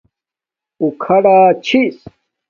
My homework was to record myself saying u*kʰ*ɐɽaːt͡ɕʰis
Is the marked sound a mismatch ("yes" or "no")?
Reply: no